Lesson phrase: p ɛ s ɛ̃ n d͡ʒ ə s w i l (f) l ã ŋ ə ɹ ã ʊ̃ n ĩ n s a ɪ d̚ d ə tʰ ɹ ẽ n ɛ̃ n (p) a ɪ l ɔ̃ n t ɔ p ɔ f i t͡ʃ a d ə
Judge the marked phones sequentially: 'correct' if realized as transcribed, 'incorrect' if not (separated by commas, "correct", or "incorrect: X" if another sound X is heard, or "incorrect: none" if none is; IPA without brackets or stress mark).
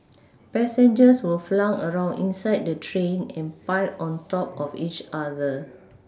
correct, correct